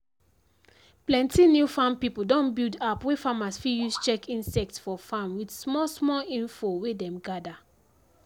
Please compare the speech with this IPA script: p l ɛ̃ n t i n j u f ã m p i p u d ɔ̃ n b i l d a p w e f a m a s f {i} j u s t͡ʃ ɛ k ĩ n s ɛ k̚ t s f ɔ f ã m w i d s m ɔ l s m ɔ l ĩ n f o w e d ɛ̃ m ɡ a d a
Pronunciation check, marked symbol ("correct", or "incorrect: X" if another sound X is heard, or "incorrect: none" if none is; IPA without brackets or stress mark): correct